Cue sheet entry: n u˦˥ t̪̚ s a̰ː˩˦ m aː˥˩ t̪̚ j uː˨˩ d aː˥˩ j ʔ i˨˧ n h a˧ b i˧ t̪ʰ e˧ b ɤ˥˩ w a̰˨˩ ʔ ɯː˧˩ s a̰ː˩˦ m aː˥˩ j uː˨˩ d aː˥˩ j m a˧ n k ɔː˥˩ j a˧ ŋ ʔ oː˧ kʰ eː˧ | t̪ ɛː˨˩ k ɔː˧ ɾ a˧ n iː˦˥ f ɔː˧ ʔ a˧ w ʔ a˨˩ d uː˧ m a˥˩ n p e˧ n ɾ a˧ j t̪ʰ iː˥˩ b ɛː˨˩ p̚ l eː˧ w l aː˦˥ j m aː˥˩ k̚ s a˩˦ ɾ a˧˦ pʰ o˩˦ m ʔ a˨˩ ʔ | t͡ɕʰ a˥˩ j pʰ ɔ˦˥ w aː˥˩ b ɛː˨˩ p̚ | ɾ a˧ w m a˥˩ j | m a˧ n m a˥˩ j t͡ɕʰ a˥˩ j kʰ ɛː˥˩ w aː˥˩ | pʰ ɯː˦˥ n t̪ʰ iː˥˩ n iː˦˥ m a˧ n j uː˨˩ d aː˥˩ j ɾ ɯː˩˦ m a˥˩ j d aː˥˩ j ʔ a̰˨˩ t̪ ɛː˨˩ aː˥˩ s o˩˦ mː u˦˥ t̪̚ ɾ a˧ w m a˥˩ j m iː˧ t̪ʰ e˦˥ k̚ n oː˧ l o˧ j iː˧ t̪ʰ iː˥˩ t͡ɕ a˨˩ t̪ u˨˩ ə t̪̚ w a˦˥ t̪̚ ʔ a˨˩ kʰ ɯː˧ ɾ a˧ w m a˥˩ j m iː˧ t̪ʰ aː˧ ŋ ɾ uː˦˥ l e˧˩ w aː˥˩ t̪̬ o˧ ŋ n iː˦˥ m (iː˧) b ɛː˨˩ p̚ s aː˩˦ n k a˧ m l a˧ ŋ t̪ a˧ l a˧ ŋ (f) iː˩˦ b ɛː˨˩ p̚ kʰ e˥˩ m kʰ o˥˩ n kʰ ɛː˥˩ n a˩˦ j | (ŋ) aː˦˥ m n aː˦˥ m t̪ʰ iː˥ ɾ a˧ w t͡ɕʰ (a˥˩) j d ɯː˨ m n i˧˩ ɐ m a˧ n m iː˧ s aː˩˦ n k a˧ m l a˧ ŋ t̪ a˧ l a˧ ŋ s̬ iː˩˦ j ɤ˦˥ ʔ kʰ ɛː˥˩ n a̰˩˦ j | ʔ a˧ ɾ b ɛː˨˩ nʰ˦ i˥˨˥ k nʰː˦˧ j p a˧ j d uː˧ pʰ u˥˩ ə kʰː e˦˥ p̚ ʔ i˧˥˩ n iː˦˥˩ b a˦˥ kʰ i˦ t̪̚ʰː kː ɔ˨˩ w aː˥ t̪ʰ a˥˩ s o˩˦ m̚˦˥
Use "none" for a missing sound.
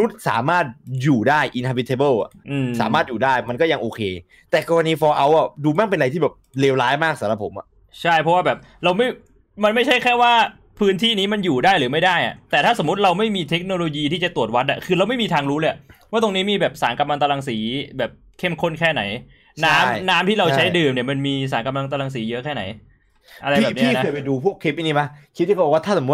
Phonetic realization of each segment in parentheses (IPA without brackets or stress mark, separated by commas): iː˧, s, n, a˦˥